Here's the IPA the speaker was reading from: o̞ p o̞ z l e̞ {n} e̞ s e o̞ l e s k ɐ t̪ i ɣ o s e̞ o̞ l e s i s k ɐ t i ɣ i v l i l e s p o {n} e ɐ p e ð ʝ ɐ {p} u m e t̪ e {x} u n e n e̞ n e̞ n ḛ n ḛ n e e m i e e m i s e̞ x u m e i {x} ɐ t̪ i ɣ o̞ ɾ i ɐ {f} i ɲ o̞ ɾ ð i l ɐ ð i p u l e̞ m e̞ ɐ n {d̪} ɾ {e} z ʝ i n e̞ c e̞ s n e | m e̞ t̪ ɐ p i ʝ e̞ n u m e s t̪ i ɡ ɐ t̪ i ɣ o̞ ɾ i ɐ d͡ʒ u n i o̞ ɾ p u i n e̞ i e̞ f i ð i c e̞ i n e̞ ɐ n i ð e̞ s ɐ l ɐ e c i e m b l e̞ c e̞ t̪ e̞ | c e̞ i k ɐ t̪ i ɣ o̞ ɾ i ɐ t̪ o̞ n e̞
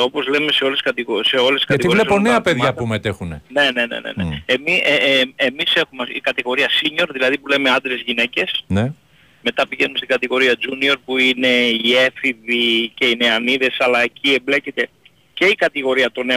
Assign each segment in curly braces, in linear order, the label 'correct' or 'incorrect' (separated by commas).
incorrect, correct, correct, correct, incorrect, incorrect, correct, correct